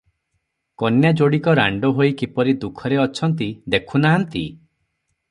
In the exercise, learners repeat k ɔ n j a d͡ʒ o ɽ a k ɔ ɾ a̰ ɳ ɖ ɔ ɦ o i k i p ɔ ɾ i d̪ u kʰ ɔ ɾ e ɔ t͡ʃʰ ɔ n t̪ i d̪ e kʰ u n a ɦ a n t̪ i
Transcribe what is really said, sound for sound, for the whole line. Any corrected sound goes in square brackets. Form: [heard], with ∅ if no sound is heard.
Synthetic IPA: k ɔ n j a d͡ʒ o ɽ [i] k ɔ ɾ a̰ ɳ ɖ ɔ ɦ o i k i p ɔ ɾ i d̪ u kʰ ɔ ɾ e ɔ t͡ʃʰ ɔ n t̪ i d̪ e kʰ u n a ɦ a n t̪ i